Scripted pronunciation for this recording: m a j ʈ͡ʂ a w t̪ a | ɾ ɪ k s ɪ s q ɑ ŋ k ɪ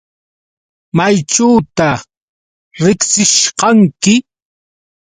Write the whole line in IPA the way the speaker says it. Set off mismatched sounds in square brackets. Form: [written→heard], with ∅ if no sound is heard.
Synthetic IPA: m a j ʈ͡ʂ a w t̪ a | ɾ ɪ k s ɪ [s→ʃ] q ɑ ŋ k ɪ